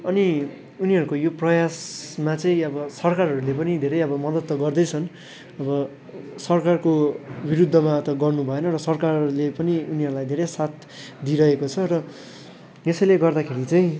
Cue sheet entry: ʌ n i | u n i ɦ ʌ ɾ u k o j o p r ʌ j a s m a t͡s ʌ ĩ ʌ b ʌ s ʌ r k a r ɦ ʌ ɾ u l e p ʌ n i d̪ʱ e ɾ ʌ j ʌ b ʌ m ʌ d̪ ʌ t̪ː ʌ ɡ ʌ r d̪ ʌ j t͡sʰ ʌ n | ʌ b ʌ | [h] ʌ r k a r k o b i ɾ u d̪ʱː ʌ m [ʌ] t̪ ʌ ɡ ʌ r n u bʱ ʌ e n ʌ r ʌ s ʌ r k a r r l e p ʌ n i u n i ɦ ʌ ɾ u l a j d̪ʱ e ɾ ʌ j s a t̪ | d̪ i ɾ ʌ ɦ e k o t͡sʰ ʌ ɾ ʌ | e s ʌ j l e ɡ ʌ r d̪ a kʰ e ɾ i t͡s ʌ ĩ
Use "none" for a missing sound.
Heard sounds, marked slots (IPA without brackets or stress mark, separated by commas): s, a